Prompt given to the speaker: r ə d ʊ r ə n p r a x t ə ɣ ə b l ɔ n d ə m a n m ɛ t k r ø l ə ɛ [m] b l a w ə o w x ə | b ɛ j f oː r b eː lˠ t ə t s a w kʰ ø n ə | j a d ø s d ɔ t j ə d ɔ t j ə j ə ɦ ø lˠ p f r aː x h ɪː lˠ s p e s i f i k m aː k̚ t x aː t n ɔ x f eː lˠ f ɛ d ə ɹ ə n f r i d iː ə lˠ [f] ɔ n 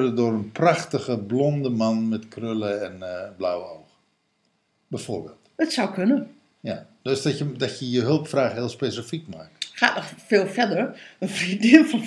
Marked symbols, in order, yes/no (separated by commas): no, yes